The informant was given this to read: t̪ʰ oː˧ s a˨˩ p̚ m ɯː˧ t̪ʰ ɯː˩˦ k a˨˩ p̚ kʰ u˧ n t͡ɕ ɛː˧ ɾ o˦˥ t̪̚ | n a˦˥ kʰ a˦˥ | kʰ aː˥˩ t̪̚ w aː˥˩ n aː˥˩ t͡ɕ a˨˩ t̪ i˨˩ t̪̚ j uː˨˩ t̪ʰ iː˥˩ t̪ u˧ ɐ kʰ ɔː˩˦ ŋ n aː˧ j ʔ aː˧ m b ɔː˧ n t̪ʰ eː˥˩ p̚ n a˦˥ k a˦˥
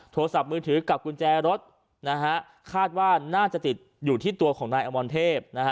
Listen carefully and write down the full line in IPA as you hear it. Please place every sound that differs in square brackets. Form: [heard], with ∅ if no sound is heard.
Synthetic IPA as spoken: t̪ʰ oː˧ s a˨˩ p̚ m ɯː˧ t̪ʰ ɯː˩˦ k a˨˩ p̚ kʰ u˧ n t͡ɕ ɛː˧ ɾ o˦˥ t̪̚ | n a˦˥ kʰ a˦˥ | kʰ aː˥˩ t̪̚ w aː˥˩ n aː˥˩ t͡ɕ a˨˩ t̪ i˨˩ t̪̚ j uː˨˩ t̪ʰ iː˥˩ t̪ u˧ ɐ kʰ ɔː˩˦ ŋ n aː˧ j ʔ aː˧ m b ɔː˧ n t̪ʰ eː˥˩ p̚ n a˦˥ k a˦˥